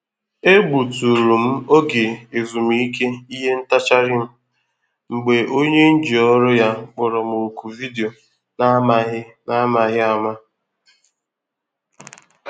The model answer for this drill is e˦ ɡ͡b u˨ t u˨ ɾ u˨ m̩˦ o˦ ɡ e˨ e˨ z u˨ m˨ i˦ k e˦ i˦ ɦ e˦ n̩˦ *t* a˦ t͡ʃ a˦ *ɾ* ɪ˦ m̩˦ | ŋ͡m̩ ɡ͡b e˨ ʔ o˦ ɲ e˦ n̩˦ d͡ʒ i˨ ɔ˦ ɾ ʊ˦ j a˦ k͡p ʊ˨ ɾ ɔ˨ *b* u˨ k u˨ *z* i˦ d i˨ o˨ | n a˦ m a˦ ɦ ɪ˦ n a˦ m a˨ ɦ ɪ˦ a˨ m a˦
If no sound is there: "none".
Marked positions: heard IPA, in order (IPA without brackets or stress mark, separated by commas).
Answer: t, ɾ, m, v